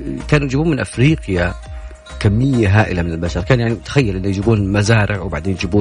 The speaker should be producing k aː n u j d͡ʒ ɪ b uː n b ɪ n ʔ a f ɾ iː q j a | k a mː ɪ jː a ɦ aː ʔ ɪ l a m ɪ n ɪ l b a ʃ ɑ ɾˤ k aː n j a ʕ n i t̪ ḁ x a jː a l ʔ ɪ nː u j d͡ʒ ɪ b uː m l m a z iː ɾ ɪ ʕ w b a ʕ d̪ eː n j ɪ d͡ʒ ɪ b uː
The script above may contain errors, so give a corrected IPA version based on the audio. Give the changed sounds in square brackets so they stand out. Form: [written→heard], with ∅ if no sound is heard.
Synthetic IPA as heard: k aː n u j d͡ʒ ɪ b uː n [b→m] ɪ n ʔ a f ɾ iː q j a | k a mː ɪ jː a ɦ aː ʔ ɪ l a m ɪ n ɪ l b a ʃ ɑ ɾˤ k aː n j a ʕ n i t̪ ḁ x a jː a l ʔ ɪ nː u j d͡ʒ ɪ b uː [m→n] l m a z [iː→aː] ɾ ɪ ʕ w b a ʕ d̪ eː n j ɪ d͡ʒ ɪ b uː